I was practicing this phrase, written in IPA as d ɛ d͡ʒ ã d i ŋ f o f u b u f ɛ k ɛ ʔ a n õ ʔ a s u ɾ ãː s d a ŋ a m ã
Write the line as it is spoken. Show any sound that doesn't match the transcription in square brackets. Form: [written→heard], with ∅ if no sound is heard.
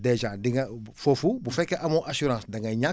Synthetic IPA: d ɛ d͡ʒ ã d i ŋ f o f u b u f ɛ k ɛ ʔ a [n→m] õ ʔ a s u ɾ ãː s d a ŋ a [m→ɲ] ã